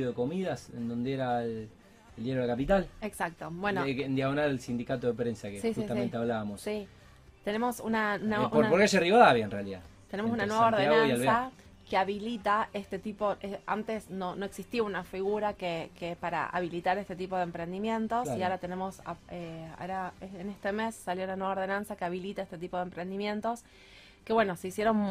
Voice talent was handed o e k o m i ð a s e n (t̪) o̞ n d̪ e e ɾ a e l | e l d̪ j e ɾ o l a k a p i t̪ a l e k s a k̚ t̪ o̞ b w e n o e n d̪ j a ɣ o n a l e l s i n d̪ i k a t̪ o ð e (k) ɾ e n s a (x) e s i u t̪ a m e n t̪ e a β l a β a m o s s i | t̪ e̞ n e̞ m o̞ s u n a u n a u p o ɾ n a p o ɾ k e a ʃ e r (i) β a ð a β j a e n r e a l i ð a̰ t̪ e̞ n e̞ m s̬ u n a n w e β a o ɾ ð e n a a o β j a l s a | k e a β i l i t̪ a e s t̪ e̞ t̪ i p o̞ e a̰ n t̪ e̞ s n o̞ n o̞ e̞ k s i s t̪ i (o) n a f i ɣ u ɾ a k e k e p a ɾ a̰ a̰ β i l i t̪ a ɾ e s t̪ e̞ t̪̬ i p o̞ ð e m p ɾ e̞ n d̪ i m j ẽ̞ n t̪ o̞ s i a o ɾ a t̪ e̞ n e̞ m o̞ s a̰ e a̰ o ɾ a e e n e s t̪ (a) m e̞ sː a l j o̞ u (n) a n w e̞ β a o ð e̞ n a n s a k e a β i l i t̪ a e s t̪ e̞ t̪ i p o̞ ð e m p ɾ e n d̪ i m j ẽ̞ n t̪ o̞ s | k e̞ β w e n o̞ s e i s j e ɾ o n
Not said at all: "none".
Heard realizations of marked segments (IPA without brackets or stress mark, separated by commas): d̪, p, k, i, u, e, n